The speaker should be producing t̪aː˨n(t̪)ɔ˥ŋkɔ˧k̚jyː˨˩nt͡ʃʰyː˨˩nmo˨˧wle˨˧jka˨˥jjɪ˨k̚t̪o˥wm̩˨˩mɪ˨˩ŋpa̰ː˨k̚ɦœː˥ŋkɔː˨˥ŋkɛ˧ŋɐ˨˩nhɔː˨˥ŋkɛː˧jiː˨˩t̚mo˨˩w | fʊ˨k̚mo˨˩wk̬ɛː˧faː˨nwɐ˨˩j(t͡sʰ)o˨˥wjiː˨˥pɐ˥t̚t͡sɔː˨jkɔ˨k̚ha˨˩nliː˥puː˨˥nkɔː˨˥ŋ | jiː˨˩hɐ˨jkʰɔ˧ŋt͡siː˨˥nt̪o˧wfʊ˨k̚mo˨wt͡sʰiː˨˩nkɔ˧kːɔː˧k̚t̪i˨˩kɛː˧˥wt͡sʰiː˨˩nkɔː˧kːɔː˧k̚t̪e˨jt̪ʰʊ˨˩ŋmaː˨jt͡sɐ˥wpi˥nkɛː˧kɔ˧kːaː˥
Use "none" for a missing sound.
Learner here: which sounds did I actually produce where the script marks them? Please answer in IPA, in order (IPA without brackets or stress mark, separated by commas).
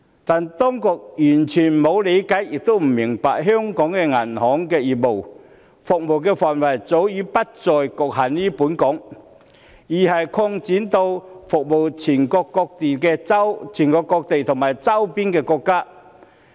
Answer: t̪, t͡s